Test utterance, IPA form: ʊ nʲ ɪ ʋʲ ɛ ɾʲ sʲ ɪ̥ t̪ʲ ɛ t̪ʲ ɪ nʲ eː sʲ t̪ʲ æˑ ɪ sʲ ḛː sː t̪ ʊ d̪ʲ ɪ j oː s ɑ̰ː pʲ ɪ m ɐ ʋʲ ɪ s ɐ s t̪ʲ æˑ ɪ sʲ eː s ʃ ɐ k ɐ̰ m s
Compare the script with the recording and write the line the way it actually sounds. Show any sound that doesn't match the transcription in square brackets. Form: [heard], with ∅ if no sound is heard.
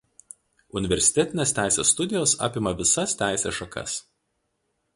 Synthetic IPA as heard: ʊ nʲ ɪ ʋʲ ɛ ɾʲ sʲ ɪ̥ t̪ʲ ɛ t̪ʲ ɪ nʲ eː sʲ t̪ʲ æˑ ɪ sʲ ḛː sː t̪ ʊ d̪ʲ ɪ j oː s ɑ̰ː pʲ ɪ m ɐ ʋʲ ɪ s ɐ s t̪ʲ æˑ ɪ sʲ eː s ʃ ɐ k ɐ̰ [∅] s